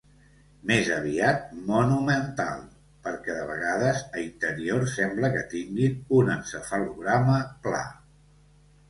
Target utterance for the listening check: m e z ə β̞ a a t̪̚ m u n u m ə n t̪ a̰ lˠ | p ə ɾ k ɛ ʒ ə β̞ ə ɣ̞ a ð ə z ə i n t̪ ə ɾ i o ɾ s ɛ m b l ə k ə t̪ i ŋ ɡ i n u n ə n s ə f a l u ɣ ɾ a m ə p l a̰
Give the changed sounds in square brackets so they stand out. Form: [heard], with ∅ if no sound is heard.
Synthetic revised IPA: m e z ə β̞ [i] a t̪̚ m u n u m ə n t̪ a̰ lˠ | p ə ɾ k ɛ [ð] ə β̞ ə ɣ̞ a ð ə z ə i n t̪ ə ɾ i o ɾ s ɛ m b l ə k ə t̪ i ŋ ɡ i n u n ə n s ə f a l u ɣ ɾ a m ə p l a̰